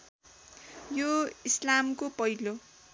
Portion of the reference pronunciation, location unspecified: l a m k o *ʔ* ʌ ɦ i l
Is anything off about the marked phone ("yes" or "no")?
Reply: yes